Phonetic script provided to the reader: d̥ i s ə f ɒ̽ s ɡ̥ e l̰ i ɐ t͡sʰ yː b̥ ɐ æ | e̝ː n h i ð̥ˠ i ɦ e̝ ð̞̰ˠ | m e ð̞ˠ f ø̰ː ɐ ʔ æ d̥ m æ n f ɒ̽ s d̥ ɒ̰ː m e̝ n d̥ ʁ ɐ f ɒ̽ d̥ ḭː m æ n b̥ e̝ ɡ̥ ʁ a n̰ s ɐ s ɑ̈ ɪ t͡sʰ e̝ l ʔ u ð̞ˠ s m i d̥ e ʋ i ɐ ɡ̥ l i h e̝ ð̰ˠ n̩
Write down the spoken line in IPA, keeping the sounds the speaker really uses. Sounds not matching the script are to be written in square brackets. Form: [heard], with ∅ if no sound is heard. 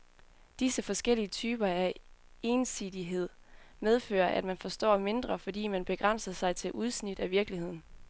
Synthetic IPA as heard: d̥ i s ə f ɒ̽ s ɡ̥ e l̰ i [ə] t͡sʰ yː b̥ ɐ æ | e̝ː n [s] i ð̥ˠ i ɦ e̝ ð̞̰ˠ | m e ð̞ˠ f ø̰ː ɐ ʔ æ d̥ m æ n f ɒ̽ s d̥ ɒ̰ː m e̝ n d̥ ʁ ɐ f ɒ̽ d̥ ḭː m æ n b̥ e̝ ɡ̥ ʁ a n̰ s ɐ s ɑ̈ ɪ t͡sʰ e̝ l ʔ u ð̞ˠ s [n] i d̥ [æ] ʋ i ɐ ɡ̥ l i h e̝ ð̰ˠ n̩

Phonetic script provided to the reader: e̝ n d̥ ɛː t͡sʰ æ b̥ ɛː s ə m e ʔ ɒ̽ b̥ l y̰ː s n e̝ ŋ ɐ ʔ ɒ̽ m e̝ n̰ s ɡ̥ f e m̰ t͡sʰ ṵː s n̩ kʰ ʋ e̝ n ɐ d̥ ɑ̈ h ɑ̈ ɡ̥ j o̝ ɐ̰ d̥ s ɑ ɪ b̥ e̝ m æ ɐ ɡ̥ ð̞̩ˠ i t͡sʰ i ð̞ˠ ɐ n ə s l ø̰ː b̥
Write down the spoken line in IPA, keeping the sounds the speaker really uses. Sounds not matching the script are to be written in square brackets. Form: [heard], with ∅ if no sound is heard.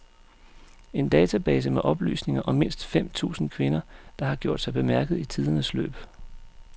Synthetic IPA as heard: e̝ n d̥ ɛː t͡sʰ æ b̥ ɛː s ə m e ʔ ɒ̽ b̥ l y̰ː s n e̝ ŋ ɐ ʔ ɒ̽ m e̝ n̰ s [d̥] f e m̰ t͡sʰ ṵː s n̩ kʰ ʋ e̝ n ɐ d̥ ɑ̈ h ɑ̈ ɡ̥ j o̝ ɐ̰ d̥ s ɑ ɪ b̥ e̝ m æ ɐ ɡ̥ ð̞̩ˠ i t͡sʰ i ð̞ˠ ɐ n ə s l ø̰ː b̥

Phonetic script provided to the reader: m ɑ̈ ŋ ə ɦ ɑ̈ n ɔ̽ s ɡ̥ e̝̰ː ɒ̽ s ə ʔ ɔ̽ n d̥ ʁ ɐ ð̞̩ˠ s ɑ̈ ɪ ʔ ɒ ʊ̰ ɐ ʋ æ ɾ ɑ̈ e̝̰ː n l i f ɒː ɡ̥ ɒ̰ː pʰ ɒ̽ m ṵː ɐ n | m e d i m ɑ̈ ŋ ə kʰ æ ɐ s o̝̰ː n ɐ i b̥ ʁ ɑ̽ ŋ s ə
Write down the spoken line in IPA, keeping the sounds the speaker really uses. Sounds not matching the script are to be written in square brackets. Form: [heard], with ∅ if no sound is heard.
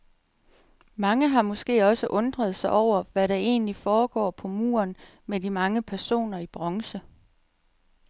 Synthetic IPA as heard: m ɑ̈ ŋ ə ɦ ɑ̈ [m] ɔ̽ s ɡ̥ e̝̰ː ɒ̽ s ə ʔ ɔ̽ n d̥ ʁ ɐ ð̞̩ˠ s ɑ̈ ɪ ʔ ɒ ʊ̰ ɐ ʋ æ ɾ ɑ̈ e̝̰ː n l i f ɒː ɡ̥ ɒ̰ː pʰ ɒ̽ m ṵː ɐ n | m e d i m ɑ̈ ŋ ə [pʰ] æ ɐ s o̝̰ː n ɐ i b̥ ʁ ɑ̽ ŋ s ə

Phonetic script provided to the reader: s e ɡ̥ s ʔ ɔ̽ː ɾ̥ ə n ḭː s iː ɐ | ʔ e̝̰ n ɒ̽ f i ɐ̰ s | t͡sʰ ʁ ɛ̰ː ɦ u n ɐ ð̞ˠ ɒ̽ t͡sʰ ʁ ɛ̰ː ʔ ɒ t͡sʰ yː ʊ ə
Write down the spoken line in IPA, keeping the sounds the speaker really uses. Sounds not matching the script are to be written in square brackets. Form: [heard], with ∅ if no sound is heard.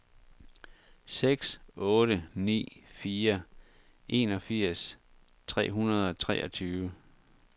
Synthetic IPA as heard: s e ɡ̥ s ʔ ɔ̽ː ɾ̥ ə n ḭː [f] iː ɐ | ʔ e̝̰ n ɒ̽ f i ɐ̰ s | t͡sʰ ʁ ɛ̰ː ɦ u n ɐ ð̞ˠ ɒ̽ t͡sʰ ʁ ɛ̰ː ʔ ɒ t͡sʰ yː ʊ ə

